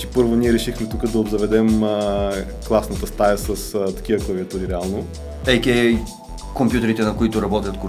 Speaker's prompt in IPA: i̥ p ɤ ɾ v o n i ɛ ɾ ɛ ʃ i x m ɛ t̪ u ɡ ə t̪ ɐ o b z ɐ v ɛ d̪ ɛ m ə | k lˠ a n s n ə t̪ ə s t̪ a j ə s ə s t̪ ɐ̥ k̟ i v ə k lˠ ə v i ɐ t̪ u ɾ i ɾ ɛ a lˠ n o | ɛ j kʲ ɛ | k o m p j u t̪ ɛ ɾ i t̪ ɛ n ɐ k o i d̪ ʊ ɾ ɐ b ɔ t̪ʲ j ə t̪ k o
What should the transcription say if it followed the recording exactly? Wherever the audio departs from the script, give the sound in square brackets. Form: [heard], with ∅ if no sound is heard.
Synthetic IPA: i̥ p ɤ ɾ v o n i ɛ ɾ ɛ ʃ i x m ɛ t̪ u [k] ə [d̪] ɐ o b z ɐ v ɛ d̪ ɛ m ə | k lˠ a [∅] s n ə t̪ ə s t̪ a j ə s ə s t̪ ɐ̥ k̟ i v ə k lˠ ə v i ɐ t̪ u ɾ i ɾ ɛ a lˠ n o | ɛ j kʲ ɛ | k o m p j u t̪ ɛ ɾ i t̪ ɛ n ɐ k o i [t̪] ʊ ɾ ɐ b ɔ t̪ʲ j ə t̪ k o